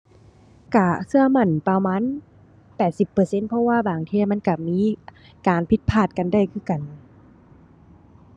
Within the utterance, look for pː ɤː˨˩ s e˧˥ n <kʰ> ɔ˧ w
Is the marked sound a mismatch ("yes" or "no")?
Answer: yes